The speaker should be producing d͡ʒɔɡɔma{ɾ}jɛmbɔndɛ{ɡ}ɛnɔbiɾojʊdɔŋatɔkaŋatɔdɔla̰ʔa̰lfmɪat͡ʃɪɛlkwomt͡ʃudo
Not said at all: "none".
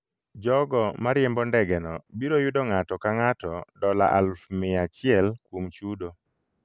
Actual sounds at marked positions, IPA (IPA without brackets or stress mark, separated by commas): ɾ, ɡ